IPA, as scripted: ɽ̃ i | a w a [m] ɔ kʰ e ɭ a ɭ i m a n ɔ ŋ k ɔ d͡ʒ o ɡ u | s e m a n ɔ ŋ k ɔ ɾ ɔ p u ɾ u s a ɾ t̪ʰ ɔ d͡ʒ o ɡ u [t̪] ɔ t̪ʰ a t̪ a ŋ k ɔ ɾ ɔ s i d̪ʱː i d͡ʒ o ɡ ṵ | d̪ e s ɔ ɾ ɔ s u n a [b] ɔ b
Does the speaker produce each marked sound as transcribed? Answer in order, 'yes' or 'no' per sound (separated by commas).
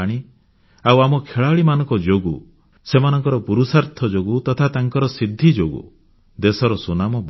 yes, yes, no